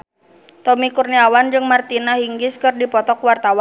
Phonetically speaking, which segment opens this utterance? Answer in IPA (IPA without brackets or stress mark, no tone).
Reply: t̪